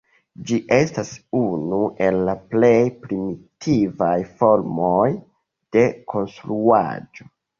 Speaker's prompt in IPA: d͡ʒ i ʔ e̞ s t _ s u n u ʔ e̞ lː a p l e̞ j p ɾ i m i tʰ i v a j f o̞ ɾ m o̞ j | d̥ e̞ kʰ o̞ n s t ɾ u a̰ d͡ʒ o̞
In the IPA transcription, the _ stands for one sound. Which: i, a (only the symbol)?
a